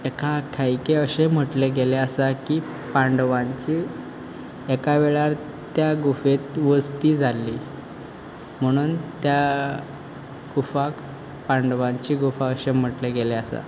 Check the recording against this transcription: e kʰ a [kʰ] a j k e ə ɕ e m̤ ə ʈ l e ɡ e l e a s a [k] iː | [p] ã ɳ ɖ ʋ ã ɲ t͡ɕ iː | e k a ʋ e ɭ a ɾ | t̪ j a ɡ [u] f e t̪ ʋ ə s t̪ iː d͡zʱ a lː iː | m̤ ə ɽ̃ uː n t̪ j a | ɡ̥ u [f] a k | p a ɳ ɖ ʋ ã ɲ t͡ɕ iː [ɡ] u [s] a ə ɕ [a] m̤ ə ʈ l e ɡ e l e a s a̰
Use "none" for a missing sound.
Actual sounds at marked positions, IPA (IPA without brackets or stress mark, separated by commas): kʰ, k, p, u, f, ɡ, f, e